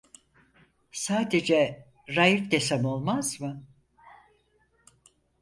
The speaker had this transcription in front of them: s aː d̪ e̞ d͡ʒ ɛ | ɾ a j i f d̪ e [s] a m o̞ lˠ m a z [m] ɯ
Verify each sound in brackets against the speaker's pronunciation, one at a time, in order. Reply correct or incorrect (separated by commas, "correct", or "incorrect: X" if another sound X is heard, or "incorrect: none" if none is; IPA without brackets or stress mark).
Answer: correct, correct